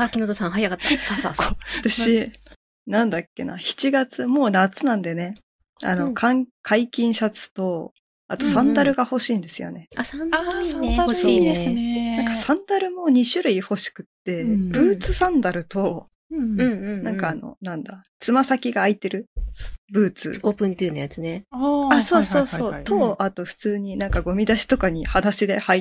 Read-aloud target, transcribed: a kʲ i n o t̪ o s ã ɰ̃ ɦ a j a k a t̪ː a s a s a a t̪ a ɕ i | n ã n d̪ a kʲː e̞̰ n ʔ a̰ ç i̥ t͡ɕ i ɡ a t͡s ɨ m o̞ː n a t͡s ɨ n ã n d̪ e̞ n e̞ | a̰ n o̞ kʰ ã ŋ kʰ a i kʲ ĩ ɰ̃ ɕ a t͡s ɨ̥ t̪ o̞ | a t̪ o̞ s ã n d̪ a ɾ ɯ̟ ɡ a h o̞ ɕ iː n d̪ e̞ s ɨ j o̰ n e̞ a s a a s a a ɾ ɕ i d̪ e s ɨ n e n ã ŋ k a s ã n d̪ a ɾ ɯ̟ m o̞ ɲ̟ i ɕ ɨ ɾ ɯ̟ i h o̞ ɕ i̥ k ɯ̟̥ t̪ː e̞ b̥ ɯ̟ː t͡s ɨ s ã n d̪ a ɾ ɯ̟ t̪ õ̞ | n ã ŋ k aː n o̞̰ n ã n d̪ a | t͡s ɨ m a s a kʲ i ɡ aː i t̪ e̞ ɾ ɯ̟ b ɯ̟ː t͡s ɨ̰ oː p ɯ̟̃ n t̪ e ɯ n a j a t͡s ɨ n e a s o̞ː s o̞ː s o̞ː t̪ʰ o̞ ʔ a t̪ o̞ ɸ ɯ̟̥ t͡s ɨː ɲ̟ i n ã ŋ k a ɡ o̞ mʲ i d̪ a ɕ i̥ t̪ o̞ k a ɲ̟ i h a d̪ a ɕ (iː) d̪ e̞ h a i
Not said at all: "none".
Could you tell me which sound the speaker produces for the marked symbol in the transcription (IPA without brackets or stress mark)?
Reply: i